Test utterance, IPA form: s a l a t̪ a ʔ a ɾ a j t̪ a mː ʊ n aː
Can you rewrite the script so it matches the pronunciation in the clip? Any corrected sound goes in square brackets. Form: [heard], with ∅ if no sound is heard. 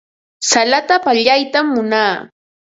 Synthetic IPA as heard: s a l a t̪ a [p] a [ʎ] a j t̪ a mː ʊ n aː